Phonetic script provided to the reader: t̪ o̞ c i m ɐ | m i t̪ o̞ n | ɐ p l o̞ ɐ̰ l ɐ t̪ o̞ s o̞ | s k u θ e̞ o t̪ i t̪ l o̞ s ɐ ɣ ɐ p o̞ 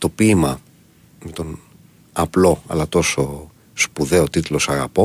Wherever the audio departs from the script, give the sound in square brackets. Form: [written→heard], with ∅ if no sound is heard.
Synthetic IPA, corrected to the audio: t̪ o̞ [c→p] i m ɐ | m [i→e] t̪ o̞ n | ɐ p l o̞ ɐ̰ l ɐ t̪ o̞ s o̞ | s [k→p] u [θ→ð] e̞ o t̪ i t̪ l o̞ s ɐ ɣ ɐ p o̞